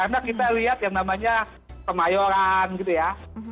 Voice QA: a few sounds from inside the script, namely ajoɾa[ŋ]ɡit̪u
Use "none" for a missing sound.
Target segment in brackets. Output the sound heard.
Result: n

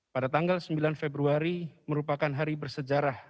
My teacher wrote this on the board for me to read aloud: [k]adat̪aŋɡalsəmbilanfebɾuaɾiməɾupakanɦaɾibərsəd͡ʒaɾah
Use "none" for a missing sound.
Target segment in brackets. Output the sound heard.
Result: p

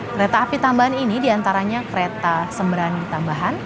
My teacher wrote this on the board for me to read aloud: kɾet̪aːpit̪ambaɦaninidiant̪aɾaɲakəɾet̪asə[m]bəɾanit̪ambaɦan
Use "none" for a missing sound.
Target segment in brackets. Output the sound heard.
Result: m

